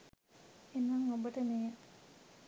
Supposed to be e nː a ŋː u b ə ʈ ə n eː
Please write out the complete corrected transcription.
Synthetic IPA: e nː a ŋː o b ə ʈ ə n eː